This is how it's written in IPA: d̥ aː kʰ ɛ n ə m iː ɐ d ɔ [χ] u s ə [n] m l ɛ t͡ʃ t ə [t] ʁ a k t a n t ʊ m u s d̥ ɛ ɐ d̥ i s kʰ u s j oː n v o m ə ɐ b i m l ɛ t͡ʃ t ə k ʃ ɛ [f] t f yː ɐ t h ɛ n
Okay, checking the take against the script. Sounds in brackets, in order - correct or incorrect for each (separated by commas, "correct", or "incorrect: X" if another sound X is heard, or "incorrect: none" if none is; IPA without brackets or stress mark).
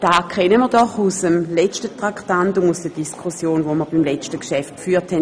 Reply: correct, incorrect: none, correct, correct